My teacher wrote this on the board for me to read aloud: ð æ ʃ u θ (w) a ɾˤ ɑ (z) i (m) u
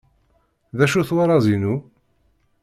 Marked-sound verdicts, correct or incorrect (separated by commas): correct, correct, incorrect